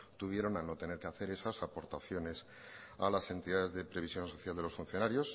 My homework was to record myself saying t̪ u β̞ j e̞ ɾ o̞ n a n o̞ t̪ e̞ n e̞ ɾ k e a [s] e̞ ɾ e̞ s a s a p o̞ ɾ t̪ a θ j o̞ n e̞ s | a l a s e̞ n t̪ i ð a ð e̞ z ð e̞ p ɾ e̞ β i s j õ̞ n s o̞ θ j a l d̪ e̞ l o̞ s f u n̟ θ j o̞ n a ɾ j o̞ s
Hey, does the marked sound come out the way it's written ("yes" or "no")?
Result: no